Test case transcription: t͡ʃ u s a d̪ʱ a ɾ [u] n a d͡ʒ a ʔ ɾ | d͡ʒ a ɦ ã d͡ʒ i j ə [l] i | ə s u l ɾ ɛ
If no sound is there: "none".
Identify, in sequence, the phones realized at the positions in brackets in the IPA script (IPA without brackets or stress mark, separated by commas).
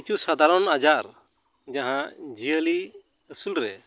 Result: ɔ, l